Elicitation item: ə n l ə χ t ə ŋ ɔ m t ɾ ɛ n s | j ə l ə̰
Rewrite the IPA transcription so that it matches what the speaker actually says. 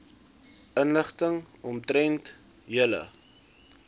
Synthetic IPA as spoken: ə n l ə χ t ə ŋ ɔ m t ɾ ɛ n t | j ə l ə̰